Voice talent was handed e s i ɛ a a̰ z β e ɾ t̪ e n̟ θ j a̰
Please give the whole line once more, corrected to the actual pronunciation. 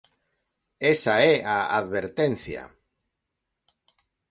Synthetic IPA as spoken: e s a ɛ a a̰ ð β e ɾ t̪ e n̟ θ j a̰